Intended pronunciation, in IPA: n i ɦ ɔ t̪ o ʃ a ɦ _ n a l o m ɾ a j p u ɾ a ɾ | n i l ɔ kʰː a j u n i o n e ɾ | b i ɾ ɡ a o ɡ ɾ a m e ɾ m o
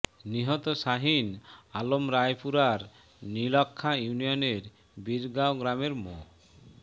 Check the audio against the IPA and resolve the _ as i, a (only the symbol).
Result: i